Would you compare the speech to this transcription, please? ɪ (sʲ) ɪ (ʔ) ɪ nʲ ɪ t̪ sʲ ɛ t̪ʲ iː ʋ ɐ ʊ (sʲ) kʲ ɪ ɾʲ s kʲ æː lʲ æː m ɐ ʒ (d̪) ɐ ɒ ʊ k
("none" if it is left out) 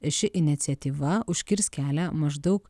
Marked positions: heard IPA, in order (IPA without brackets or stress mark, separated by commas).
ʃʲ, ʔ, ʃʲ, d̪